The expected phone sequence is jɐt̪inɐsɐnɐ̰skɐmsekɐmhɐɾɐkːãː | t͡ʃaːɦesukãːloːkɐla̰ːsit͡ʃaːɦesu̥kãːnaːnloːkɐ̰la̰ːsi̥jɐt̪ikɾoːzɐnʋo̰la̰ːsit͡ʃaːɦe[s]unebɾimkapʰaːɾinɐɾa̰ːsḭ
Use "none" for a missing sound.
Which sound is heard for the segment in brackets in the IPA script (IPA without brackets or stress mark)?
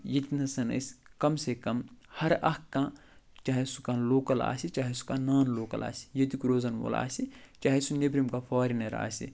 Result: s